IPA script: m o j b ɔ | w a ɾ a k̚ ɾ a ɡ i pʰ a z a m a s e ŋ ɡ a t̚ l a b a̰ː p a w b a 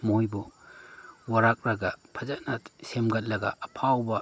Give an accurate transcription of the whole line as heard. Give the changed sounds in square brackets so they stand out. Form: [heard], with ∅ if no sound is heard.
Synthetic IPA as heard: m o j b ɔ | w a ɾ a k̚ ɾ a ɡ [a] pʰ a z a [n] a s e [m] ɡ a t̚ l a [ɡ] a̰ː [pʰ] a w b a